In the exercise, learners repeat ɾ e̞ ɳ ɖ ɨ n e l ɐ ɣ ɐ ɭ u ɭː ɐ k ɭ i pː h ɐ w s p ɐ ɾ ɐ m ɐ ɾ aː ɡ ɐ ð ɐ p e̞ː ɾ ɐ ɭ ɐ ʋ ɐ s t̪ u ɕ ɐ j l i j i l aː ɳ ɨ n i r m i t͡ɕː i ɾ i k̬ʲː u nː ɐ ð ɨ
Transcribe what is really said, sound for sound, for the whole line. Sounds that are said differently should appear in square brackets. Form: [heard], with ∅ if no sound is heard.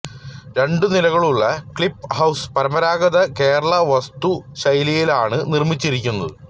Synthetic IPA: ɾ e̞ ɳ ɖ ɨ n [i] l ɐ ɣ ɐ ɭ u ɭː ɐ k ɭ i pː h ɐ w s p ɐ ɾ ɐ m ɐ ɾ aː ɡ ɐ ð ɐ [k] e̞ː ɾ ɐ ɭ ɐ ʋ ɐ s t̪ u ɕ ɐ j l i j i l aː ɳ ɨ n i r m i t͡ɕː i ɾ i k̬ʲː u nː ɐ ð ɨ